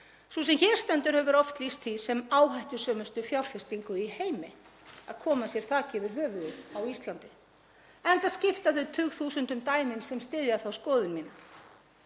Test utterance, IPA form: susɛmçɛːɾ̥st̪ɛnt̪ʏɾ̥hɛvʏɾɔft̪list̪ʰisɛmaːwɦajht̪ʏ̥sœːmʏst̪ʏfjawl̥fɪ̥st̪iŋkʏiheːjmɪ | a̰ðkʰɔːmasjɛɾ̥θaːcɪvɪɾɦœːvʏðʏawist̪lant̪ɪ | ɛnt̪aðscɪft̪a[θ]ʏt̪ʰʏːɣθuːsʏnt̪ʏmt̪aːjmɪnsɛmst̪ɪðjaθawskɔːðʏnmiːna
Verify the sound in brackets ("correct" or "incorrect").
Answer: correct